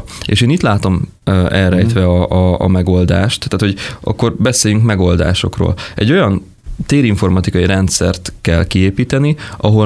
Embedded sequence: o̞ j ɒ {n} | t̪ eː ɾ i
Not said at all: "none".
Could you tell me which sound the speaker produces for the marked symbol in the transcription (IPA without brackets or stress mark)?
n